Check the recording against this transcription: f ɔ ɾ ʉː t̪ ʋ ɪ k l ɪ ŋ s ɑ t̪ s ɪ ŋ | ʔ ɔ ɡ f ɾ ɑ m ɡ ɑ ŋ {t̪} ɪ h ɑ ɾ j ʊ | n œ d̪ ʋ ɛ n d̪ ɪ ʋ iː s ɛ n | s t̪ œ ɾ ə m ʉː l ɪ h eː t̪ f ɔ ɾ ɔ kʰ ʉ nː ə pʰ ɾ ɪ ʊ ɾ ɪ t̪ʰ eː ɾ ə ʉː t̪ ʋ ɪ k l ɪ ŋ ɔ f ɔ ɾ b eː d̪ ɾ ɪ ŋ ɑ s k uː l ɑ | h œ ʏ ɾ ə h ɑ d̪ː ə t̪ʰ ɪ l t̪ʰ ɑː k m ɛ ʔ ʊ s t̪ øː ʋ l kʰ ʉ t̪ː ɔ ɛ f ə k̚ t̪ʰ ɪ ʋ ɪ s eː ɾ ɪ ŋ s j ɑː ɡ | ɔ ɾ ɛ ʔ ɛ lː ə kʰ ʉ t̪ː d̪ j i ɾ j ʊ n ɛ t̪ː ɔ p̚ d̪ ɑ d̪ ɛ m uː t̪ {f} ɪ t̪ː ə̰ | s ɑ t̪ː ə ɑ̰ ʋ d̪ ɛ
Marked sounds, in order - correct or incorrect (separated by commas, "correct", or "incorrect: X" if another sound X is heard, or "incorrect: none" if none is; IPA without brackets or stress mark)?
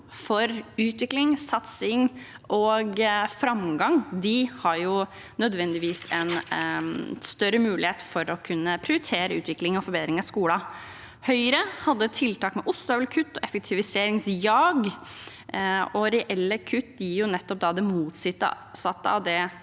incorrect: d̪, incorrect: s